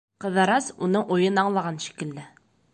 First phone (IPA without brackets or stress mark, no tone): q